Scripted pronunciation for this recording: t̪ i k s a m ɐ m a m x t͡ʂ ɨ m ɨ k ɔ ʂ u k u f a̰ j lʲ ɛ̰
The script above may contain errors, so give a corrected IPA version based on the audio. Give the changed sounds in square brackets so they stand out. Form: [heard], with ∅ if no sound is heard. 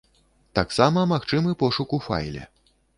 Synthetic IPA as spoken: t̪ [a] k s a m ɐ m a [∅] x t͡ʂ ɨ m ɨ [p] ɔ ʂ u k u f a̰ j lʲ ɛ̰

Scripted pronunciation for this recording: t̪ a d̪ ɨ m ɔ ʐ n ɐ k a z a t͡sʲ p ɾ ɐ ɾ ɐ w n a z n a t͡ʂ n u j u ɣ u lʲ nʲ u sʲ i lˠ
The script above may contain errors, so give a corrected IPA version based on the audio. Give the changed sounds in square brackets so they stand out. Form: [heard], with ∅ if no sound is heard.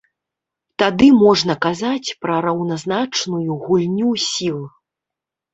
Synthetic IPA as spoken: t̪ a d̪ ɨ m ɔ ʐ n ɐ k a z a t͡sʲ p ɾ ɐ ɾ ɐ w n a z n a t͡ʂ n u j u ɣ u lʲ nʲ u sʲ i lˠ

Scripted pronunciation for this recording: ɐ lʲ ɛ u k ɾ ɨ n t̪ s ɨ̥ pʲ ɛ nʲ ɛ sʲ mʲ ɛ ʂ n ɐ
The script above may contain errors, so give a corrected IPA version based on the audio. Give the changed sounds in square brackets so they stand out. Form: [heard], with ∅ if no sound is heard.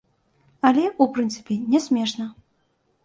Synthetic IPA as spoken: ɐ lʲ ɛ u [p] ɾ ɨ n t̪ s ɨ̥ pʲ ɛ nʲ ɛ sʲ mʲ ɛ ʂ n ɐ

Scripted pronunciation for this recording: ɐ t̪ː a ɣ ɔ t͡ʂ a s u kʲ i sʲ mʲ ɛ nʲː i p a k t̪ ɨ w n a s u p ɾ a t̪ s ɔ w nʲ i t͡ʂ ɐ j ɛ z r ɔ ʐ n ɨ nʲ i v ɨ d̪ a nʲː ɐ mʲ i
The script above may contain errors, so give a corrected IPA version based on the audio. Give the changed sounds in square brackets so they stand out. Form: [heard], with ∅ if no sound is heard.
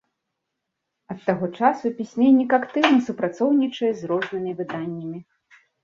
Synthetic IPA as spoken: ɐ t̪ː a ɣ ɔ t͡ʂ a s u [pʲ] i sʲ mʲ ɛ nʲː i [k] a k t̪ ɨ w n [ɐ] s u p ɾ a t̪ s ɔ w nʲ i t͡ʂ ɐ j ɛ z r ɔ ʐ n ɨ [mʲ] i v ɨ d̪ a nʲː ɐ mʲ i

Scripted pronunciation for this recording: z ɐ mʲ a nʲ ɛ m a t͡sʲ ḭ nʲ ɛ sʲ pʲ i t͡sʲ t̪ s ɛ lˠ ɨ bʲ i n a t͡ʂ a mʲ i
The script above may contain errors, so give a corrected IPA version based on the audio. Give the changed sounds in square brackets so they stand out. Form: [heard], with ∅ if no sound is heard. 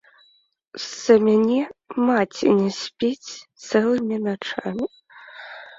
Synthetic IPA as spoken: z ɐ mʲ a nʲ ɛ m a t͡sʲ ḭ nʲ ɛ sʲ pʲ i t͡sʲ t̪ s ɛ lˠ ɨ [mʲ] i n a t͡ʂ a mʲ i

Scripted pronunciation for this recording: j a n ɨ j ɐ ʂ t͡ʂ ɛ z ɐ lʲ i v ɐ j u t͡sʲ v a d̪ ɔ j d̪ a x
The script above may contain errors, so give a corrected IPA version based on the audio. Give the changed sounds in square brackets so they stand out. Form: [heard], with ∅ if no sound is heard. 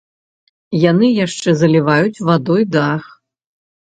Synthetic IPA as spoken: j a n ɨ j [a] ʂ t͡ʂ ɛ z ɐ lʲ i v [a] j u t͡sʲ v a d̪ ɔ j d̪ a x

